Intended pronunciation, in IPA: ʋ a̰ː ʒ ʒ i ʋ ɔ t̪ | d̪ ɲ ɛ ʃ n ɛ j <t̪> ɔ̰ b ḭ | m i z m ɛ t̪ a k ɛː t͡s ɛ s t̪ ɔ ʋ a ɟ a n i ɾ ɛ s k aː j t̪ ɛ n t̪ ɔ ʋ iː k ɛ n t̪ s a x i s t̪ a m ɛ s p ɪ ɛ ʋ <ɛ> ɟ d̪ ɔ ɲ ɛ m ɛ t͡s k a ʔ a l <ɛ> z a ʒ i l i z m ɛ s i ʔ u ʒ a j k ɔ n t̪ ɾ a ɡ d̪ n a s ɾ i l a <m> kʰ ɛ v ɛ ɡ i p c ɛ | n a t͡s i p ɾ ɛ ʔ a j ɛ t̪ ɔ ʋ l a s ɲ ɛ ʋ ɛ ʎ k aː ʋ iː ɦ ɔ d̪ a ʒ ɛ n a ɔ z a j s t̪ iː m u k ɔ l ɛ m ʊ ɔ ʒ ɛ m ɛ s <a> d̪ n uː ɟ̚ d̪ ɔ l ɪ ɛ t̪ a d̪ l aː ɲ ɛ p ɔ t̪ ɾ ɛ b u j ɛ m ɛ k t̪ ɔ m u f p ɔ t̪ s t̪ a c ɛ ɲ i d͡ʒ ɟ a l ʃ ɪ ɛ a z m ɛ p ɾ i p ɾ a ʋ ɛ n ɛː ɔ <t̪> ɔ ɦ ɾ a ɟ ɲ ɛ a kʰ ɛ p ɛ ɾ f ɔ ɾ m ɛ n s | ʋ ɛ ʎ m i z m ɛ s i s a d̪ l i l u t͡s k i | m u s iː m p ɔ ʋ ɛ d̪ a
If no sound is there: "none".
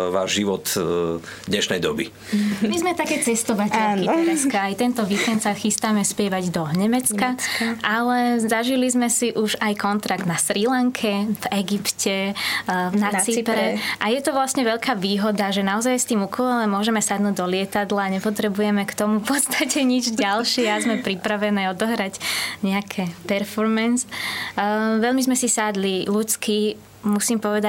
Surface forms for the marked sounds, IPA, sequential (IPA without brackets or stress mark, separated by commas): d̪, a, ɛ, ŋ, a, d̪